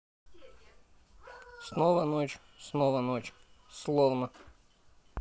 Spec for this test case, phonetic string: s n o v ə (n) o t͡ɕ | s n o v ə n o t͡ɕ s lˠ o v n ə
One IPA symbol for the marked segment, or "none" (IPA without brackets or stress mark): n